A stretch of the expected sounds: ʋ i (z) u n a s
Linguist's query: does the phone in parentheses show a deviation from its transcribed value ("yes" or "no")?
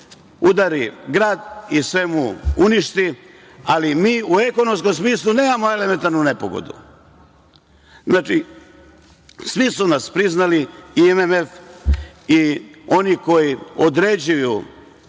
yes